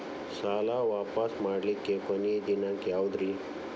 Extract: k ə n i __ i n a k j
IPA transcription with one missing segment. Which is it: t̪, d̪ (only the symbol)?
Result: d̪